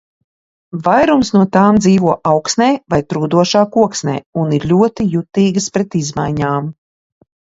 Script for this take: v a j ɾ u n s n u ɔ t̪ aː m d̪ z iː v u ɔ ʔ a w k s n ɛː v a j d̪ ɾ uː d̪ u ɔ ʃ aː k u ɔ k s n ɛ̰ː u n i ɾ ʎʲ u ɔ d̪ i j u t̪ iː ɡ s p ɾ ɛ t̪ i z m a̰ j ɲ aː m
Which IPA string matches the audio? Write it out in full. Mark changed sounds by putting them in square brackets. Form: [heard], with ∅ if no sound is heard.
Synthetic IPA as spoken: v a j ɾ u [m] s n u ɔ t̪ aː m d̪ z iː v u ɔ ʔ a w k s n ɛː v a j [t̪] ɾ uː d̪ u ɔ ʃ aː k u ɔ k s n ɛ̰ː u n i ɾ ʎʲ u ɔ [t̪] i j u t̪ iː ɡ s p ɾ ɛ t̪ i z m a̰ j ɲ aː m